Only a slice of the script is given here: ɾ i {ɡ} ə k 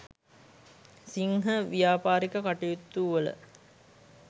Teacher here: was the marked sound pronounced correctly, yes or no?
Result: no